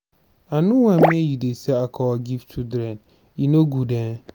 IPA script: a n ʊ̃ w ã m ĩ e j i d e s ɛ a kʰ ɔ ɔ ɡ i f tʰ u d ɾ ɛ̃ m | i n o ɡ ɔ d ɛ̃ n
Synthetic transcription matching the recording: a n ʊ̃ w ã m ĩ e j i d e s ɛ a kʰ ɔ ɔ ɡ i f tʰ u d ɾ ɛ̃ n | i n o ɡ u d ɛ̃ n